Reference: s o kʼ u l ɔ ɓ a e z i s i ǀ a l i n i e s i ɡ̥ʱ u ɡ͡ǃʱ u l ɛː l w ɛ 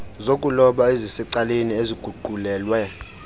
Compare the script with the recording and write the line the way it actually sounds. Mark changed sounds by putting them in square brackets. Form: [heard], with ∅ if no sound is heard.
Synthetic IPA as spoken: [z] o kʼ u l ɔ ɓ a e z i s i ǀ a l [e] n i e [z] i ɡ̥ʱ u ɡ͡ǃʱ u l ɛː l w ɛ